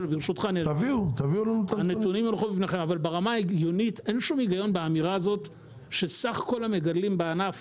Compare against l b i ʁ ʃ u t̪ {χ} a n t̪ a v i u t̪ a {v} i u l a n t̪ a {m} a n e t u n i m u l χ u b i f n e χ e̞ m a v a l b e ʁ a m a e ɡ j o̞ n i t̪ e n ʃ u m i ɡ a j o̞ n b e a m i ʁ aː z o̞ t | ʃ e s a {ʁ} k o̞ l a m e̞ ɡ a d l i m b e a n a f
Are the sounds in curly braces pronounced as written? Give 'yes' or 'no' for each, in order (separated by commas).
yes, yes, no, no